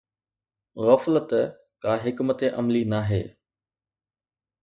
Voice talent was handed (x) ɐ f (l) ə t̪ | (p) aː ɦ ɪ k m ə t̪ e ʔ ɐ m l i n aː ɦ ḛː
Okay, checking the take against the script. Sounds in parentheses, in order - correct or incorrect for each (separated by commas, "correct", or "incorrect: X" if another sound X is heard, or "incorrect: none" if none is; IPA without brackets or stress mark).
incorrect: ɣ, correct, incorrect: k